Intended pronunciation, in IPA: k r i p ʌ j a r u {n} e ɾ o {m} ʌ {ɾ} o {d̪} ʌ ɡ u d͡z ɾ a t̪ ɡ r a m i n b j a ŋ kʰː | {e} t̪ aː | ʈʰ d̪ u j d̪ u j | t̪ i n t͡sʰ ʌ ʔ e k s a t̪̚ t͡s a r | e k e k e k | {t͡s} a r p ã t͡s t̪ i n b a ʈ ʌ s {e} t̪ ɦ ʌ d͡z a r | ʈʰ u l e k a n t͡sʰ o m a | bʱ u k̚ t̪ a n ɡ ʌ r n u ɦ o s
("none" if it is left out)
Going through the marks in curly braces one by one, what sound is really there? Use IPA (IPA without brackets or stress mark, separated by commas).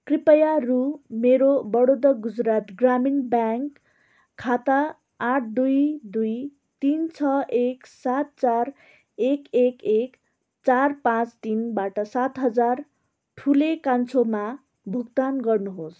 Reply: m, b, ɽ, d̪, a, t͡s, a